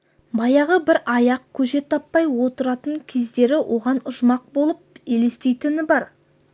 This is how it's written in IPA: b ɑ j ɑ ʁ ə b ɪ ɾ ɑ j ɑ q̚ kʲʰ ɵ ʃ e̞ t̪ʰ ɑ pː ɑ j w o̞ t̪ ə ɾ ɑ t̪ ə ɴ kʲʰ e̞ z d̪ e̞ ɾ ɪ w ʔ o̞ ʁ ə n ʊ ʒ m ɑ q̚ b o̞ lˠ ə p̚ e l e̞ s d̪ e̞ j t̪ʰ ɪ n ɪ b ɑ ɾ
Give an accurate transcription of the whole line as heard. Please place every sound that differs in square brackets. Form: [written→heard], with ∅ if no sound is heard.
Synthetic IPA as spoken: b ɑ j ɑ ʁ ə b ɪ ɾ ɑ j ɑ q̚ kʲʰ ɵ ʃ e̞ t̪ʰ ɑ pː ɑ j w o̞ t̪ ə ɾ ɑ t̪ ə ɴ kʲʰ e̞ z d̪ e̞ ɾ ɪ w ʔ o̞ ʁ [ə→ɑ] n ʊ ʒ m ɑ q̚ b o̞ lˠ ə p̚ e l e̞ s [d̪→t̪] e̞ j [t̪ʰ→t̪] ɪ n ɪ b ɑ ɾ

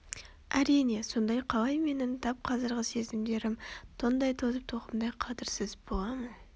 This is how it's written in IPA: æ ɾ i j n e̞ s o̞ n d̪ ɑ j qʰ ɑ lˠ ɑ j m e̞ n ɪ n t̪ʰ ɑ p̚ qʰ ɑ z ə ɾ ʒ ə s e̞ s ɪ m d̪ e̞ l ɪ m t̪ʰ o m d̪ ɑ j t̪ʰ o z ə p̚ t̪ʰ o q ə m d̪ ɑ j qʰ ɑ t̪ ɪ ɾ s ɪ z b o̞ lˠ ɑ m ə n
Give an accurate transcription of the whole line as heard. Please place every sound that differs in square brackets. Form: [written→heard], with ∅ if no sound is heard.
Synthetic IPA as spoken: æ ɾ i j n e̞ s o̞ n d̪ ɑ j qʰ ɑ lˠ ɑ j m e̞ n ɪ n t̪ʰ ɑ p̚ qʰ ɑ z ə ɾ [ʒ→ʁ] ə s e̞ [s→z] ɪ m d̪ e̞ [l→ɾ] ɪ m t̪ʰ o [m→n] d̪ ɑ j t̪ʰ o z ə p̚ t̪ʰ o q ə m d̪ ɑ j qʰ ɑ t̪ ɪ ɾ s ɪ z b o̞ lˠ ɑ m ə n

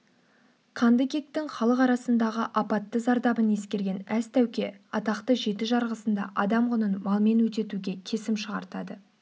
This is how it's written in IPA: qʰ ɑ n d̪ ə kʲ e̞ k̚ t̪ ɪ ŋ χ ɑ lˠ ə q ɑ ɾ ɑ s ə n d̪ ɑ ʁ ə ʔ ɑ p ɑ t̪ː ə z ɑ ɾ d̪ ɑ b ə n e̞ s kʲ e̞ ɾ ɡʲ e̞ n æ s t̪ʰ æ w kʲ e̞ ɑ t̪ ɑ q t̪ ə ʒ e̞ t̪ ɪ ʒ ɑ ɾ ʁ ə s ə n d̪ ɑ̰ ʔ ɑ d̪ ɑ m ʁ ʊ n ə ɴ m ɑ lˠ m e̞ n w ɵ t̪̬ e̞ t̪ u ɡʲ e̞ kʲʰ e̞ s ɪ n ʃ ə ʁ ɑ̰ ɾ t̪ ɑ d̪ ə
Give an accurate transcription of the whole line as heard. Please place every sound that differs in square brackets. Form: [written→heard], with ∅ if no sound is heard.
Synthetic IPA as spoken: qʰ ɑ n d̪ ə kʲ e̞ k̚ t̪ ɪ ŋ χ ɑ lˠ ə q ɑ ɾ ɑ s ə n d̪ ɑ ʁ ə ʔ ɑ p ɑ t̪ː ə z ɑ ɾ d̪ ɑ b ə n e̞ s kʲ e̞ ɾ ɡʲ e̞ n æ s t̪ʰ æ w kʲ e̞ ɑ t̪ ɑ q t̪ ə ʒ e̞ t̪ ɪ ʒ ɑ ɾ ʁ ə s ə n d̪ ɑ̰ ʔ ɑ d̪ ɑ m ʁ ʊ n ə [ɴ→n] m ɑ lˠ m e̞ n w ɵ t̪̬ e̞ t̪ u ɡʲ e̞ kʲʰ e̞ s ɪ [n→m] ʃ ə ʁ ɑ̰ ɾ t̪ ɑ d̪ ə

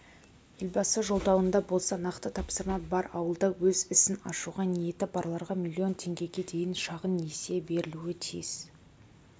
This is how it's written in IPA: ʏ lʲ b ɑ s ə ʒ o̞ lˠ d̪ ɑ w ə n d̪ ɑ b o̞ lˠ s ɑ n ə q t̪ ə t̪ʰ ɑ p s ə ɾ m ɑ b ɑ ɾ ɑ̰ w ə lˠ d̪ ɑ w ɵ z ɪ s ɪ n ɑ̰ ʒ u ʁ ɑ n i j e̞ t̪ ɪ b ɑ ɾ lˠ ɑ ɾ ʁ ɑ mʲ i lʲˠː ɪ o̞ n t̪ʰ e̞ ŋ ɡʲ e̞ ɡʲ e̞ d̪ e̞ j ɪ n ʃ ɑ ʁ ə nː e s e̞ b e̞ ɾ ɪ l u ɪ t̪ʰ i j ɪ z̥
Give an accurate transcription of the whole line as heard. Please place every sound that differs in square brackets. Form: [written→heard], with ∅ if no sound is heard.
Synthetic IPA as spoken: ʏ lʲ b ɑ s ə ʒ o̞ lˠ d̪ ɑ w ə n d̪ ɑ b o̞ lˠ s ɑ n [ə→ɑ] q t̪ ə t̪ʰ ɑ p s ə ɾ m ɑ b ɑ ɾ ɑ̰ w ə lˠ d̪ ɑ w ɵ z ɪ s ɪ n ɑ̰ [ʒ→ʃ] u ʁ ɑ n i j e̞ t̪ ɪ b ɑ ɾ lˠ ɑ ɾ ʁ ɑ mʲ i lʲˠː [ɪ→i] o̞ n t̪ʰ e̞ ŋ ɡʲ e̞ ɡʲ e̞ d̪ e̞ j ɪ n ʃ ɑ ʁ ə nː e s e̞ b e̞ ɾ ɪ l u ɪ t̪ʰ i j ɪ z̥

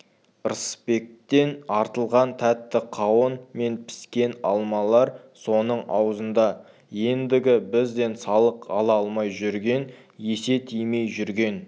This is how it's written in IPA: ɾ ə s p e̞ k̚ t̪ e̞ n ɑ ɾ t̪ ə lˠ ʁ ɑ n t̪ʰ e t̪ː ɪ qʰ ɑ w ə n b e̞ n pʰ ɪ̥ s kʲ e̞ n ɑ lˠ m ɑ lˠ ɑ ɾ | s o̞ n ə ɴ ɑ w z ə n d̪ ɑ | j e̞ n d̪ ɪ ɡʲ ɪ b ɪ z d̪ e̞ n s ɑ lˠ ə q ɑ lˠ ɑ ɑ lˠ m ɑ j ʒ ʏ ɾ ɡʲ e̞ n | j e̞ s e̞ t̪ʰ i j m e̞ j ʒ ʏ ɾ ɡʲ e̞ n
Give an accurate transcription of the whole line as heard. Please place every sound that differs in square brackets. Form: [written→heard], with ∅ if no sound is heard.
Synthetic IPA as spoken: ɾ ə s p e̞ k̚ t̪ e̞ n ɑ ɾ t̪ ə lˠ ʁ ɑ n t̪ʰ [e→æ] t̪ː ɪ qʰ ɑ w ə n [b→m] e̞ n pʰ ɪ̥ s kʲ e̞ n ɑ lˠ m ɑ lˠ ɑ ɾ | s o̞ n ə ɴ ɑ w z ə n d̪ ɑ | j e̞ n d̪ ɪ ɡʲ ɪ b ɪ z d̪ e̞ n s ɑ lˠ ə q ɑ lˠ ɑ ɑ lˠ m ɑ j ʒ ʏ ɾ ɡʲ e̞ n | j e̞ s e̞ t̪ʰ i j m e̞ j ʒ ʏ ɾ ɡʲ e̞ n

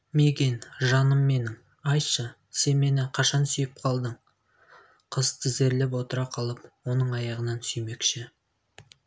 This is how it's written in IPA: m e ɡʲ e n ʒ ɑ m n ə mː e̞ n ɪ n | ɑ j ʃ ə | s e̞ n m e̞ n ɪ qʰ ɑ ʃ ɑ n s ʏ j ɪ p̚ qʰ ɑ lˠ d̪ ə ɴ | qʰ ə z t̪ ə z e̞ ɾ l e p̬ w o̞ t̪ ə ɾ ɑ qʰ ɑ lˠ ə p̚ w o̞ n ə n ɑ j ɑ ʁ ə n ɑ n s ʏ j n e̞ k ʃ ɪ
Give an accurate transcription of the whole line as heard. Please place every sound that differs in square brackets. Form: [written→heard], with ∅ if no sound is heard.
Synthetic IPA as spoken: m e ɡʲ e n ʒ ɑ [m→∅] n ə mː e̞ n ɪ [n→ŋ] | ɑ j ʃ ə | s e̞ n m e̞ n ɪ qʰ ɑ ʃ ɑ n s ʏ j ɪ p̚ qʰ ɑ lˠ d̪ ə ɴ | qʰ ə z t̪ ə z e̞ ɾ l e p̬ w o̞ t̪ ə ɾ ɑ qʰ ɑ lˠ ə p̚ w o̞ n ə [n→ɴ] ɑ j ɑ ʁ ə n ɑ n s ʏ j [n→m] e̞ k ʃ ɪ

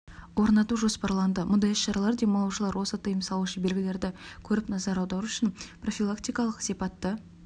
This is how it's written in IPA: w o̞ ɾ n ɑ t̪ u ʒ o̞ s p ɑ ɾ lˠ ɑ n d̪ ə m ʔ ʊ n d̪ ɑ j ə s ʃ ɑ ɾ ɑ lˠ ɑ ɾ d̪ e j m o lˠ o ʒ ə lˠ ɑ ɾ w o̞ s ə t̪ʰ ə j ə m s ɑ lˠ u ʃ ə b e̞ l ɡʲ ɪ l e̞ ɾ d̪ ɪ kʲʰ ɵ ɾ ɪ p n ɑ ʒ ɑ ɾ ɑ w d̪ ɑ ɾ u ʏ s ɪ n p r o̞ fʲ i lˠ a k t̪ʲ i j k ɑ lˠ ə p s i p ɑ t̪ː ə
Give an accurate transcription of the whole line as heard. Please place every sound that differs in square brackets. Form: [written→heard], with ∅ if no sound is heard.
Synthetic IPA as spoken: w o̞ ɾ n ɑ t̪ u ʒ o̞ s p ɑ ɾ lˠ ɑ n d̪ ə m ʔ ʊ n d̪ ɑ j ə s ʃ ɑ ɾ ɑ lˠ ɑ ɾ d̪ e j m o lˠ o ʒ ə lˠ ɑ ɾ w o̞ s ə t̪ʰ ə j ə m s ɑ lˠ u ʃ ə b e̞ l ɡʲ ɪ l e̞ ɾ d̪ ɪ kʲʰ ɵ ɾ ɪ p n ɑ [ʒ→z] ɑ ɾ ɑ w d̪ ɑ ɾ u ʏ [s→ʃ] ɪ n p r o̞ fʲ i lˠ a k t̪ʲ i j k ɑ lˠ ə [p→q] s i p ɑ t̪ː ə

